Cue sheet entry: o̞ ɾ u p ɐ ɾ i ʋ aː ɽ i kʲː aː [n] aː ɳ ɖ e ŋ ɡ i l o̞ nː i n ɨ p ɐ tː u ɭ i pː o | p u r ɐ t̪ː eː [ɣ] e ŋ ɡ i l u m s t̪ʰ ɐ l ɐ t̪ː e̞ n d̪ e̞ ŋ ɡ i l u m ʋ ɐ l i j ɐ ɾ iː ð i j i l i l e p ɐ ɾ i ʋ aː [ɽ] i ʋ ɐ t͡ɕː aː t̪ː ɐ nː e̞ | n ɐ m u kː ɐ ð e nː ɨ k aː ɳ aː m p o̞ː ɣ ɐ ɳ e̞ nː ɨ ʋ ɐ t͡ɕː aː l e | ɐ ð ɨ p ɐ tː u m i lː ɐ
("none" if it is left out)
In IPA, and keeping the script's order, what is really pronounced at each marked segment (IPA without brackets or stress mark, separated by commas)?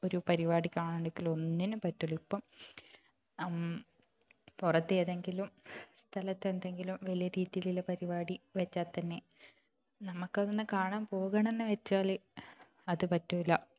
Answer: ɳ, ð, ɽ